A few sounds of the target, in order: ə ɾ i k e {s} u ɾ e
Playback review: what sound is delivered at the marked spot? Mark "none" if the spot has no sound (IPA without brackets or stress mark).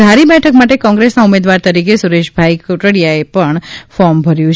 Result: s